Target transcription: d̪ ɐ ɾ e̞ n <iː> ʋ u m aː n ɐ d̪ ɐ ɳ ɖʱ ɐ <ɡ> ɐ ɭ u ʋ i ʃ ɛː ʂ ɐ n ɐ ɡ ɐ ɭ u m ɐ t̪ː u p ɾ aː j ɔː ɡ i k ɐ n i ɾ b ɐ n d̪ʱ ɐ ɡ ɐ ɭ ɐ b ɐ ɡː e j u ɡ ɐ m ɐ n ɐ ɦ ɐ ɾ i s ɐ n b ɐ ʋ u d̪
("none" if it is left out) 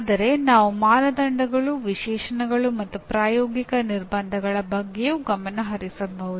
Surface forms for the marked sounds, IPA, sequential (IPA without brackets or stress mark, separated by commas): aː, ɡ